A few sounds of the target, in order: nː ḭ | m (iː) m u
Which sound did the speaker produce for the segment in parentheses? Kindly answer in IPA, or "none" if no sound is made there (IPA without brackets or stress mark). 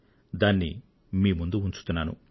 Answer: iː